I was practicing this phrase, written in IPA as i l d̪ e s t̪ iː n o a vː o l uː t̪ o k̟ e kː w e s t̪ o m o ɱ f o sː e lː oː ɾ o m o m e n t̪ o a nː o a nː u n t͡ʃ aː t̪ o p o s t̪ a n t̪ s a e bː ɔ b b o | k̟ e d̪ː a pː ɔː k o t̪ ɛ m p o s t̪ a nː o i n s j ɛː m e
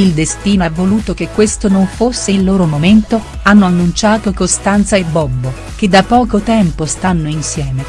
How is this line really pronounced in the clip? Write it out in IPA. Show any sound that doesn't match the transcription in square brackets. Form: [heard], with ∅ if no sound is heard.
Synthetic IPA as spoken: i l d̪ e s t̪ iː n o a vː o l uː t̪ o k̟ e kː w e s t̪ o [n] o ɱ f o sː e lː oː ɾ o m o m e n t̪ o a nː o a nː u n t͡ʃ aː t̪ o [k] o s t̪ a n t̪ s a e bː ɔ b b o | k̟ e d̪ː a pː ɔː k o t̪ ɛ m p o s t̪ a nː o i n s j ɛː m e